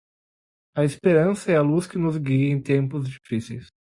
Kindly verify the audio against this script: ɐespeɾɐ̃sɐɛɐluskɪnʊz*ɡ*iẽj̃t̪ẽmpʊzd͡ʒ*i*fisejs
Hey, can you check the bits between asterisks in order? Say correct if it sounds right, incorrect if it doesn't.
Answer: correct, correct

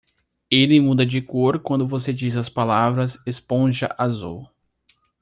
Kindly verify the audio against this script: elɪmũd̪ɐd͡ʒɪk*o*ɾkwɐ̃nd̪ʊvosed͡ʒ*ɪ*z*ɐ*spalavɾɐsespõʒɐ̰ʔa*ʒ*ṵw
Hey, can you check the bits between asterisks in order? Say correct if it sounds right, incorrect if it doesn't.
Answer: correct, incorrect, correct, incorrect

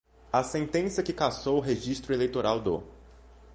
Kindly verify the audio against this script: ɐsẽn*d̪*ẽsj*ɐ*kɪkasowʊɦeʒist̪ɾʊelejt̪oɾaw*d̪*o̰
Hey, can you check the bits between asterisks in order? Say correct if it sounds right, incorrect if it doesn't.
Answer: incorrect, correct, correct

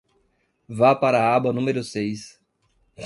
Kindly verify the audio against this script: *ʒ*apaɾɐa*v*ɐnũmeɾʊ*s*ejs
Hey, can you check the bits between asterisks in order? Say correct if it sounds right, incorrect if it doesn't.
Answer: incorrect, incorrect, correct

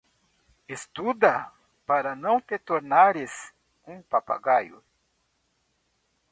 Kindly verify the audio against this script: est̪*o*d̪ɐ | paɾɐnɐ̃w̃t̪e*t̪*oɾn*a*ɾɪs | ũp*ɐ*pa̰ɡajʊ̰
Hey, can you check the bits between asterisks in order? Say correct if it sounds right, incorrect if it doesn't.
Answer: incorrect, correct, correct, incorrect

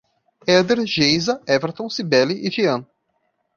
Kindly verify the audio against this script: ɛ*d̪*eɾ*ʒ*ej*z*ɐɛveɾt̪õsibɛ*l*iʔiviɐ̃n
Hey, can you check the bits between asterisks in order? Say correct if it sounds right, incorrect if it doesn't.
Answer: correct, correct, correct, correct

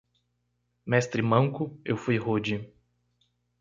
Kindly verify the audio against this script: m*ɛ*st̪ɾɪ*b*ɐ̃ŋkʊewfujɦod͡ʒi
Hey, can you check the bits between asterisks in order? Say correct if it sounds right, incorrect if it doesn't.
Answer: correct, incorrect

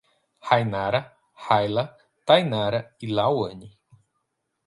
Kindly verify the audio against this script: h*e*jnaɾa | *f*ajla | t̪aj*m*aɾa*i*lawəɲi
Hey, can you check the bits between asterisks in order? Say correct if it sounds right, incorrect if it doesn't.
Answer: incorrect, incorrect, incorrect, correct

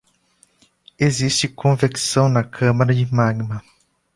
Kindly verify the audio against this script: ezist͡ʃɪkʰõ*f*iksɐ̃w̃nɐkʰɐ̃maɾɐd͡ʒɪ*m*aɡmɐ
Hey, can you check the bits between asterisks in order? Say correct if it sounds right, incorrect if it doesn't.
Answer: incorrect, correct

